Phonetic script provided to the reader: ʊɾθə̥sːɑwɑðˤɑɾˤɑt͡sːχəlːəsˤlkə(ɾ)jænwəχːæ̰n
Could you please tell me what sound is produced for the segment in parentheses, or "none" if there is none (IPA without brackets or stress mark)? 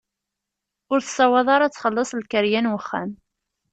ɾ